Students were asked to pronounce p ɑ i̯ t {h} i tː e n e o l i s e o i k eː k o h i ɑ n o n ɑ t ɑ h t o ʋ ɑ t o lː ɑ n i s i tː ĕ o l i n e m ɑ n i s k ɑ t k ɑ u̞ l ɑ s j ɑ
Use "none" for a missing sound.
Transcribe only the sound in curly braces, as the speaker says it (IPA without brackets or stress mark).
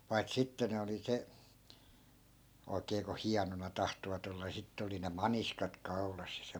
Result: s